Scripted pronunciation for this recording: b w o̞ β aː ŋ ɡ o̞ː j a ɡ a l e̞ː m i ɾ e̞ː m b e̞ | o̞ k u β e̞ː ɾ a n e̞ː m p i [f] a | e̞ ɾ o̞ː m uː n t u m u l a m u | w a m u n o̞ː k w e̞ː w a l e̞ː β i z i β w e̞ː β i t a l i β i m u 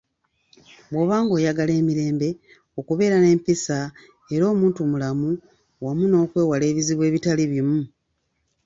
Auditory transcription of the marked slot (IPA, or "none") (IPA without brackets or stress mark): s